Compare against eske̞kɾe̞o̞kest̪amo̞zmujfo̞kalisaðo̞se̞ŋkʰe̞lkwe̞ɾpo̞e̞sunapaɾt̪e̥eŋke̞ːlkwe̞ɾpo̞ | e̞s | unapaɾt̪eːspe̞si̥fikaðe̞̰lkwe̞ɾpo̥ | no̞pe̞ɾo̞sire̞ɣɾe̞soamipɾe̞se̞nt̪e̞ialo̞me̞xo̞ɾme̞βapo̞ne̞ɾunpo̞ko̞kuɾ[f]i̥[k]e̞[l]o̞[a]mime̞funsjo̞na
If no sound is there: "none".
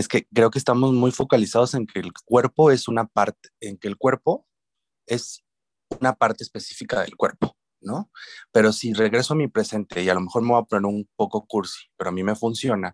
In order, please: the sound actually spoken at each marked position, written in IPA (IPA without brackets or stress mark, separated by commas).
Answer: s, p, ɾ, a